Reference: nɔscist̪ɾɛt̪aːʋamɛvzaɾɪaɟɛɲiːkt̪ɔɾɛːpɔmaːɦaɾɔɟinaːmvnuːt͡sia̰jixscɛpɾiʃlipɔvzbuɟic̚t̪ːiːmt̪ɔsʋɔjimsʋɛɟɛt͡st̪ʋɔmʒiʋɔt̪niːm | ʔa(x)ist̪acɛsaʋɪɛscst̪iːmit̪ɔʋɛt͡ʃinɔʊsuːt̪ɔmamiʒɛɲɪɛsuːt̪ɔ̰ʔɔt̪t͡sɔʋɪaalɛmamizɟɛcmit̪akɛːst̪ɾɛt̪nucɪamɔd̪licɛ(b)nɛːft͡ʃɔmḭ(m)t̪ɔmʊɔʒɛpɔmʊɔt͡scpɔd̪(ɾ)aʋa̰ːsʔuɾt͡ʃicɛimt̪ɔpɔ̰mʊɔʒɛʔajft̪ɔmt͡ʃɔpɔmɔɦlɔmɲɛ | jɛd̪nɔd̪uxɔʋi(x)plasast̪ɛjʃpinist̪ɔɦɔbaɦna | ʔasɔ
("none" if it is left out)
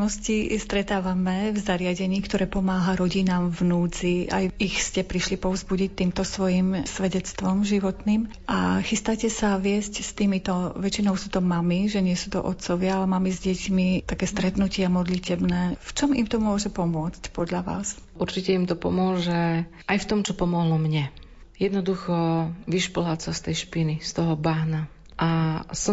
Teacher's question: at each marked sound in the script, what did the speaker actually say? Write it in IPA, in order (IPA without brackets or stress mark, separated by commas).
x, b, m, ʎ, ʃ